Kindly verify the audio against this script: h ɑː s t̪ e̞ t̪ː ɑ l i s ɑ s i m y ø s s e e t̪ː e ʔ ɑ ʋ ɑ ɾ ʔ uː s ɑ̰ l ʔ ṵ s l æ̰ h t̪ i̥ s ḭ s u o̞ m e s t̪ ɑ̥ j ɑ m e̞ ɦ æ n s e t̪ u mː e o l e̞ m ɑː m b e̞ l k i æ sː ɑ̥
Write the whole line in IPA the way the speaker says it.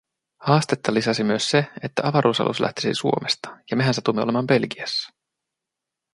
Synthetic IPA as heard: h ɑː s t̪ e̞ t̪ː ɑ l i s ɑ s i m y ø s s e e t̪ː æ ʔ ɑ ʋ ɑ ɾ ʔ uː s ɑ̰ l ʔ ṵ s l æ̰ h t̪ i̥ s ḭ s u o̞ m e s t̪ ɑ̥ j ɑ m e̞ ɦ æ n s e t̪ u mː e o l e̞ m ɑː m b e̞ l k i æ sː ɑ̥